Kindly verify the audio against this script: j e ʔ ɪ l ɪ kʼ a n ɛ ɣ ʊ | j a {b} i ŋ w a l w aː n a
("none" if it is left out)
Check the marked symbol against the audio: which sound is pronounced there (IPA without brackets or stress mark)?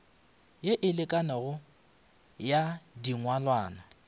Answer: d